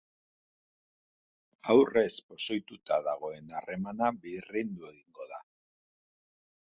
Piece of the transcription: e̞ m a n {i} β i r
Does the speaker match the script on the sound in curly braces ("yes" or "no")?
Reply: no